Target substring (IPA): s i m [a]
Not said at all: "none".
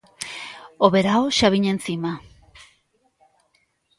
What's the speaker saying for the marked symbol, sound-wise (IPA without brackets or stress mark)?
a